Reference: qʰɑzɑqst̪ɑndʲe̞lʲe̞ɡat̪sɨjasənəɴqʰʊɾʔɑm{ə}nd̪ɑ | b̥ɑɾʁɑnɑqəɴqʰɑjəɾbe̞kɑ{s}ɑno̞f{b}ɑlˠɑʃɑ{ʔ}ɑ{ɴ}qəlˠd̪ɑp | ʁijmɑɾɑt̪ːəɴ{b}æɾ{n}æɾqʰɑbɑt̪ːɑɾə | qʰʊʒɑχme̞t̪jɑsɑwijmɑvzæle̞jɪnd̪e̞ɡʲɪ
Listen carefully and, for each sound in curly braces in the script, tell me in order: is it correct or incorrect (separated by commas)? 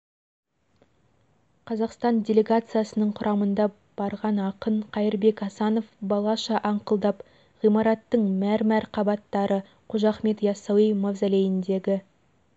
correct, correct, correct, correct, correct, incorrect, incorrect